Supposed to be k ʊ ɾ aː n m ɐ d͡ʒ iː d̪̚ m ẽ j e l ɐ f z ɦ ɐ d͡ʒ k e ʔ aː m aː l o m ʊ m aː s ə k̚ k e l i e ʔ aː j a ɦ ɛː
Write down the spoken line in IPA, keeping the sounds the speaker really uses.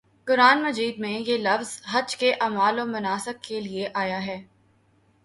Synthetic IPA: k ʊ ɾ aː n m ɐ d͡ʒ iː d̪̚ m ẽ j e l ɐ f z ɦ ɐ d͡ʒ k e ʔ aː m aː l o m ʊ n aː s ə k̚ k e l i e ʔ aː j a ɦ ɛː